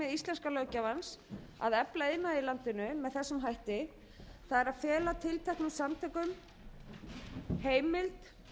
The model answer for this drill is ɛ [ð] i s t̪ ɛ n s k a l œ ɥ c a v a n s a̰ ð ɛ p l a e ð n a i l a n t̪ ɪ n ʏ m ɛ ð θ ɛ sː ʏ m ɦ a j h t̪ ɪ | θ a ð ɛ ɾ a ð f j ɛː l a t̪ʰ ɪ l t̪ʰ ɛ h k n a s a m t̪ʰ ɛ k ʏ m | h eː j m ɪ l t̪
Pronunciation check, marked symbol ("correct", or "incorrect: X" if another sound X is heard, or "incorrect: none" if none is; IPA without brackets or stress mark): correct